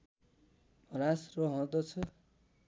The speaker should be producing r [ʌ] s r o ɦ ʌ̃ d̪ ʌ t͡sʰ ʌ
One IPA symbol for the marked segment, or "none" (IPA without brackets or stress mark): a